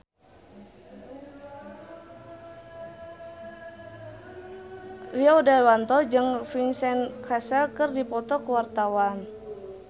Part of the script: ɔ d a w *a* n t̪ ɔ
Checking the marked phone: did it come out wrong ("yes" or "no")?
no